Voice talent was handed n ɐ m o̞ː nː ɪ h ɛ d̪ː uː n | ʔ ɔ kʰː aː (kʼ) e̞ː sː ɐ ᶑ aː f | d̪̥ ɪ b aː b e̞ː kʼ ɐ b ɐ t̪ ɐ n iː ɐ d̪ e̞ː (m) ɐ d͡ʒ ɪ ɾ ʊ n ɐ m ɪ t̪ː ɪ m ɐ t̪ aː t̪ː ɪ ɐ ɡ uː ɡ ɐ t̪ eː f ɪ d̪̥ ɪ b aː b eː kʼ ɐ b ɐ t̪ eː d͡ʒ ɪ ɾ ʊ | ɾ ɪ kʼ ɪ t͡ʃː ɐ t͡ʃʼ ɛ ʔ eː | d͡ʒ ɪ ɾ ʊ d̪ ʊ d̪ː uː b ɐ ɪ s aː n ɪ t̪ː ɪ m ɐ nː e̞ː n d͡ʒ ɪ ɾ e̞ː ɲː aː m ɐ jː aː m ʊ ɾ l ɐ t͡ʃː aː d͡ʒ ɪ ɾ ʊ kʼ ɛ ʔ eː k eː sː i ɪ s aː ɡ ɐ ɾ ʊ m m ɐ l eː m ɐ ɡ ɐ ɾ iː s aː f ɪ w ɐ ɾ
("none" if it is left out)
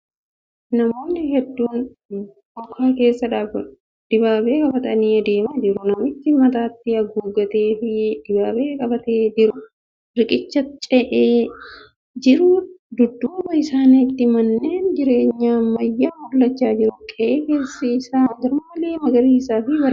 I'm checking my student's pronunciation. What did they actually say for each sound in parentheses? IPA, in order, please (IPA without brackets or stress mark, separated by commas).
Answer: k, m